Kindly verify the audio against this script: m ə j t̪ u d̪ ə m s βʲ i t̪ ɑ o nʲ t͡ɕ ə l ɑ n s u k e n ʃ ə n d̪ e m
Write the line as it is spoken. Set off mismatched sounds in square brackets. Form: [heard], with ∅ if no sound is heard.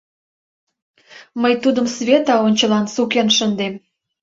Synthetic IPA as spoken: m ə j t̪ u d̪ ə m s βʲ [e] t̪ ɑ o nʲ t͡ɕ ə l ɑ n s u k e n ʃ ə n d̪ e m